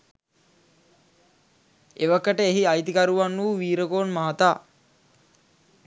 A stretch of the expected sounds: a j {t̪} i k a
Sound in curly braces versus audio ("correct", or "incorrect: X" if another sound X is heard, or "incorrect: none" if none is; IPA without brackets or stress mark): correct